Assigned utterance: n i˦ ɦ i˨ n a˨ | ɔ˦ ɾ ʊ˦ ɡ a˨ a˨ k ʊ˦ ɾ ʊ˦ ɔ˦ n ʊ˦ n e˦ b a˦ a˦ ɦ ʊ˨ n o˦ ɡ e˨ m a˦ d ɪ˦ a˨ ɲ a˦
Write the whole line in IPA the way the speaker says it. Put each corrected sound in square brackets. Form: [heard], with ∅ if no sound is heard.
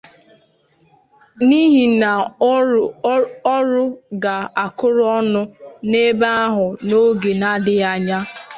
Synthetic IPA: n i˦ ɦ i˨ n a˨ | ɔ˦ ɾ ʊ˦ ɡ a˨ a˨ k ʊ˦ ɾ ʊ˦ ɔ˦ n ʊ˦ n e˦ b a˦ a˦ ɦ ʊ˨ n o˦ ɡ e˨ [n] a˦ d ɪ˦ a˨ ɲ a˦